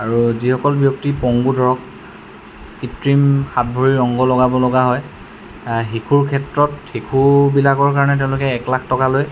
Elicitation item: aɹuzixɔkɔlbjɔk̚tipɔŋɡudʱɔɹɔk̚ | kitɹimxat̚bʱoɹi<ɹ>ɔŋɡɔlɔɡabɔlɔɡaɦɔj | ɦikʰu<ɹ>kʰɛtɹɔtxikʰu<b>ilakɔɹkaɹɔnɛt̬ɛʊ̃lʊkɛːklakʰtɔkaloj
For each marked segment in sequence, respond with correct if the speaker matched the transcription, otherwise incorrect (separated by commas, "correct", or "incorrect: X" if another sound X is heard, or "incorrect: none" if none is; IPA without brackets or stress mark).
correct, correct, correct